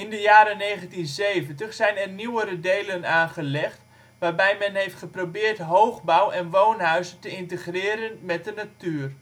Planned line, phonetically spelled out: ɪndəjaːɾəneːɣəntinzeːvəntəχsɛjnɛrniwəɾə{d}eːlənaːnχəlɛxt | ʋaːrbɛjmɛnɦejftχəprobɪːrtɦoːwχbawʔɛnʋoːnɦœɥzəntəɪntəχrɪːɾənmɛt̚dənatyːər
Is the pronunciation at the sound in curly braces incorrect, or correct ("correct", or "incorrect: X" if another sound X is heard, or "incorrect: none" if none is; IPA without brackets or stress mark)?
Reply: correct